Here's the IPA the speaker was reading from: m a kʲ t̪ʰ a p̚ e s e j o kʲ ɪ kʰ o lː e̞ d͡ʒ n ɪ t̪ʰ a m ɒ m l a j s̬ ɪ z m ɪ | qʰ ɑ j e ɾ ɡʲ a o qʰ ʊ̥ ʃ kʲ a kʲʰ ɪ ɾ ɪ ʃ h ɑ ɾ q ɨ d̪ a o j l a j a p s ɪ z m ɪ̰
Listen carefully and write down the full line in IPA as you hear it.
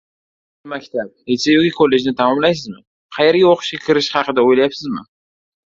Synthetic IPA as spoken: m a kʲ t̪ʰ a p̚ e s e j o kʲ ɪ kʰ o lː e̞ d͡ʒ n ɪ t̪ʰ a m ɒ m l a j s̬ ɪ z m ɪ | qʰ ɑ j e ɾ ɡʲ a o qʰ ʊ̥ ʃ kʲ a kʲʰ ɪ ɾ ɪ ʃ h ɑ q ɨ d̪ a o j l a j a p s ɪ z m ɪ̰